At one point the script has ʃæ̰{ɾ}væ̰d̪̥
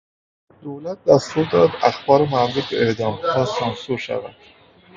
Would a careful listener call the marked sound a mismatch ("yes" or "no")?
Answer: yes